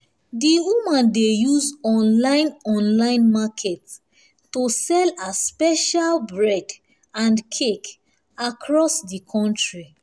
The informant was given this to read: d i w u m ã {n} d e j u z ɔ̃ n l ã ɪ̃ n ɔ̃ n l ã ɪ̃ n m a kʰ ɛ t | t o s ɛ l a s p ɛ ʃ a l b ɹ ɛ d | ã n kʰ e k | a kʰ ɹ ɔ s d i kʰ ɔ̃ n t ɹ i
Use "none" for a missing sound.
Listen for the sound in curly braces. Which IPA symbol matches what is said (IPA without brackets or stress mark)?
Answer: n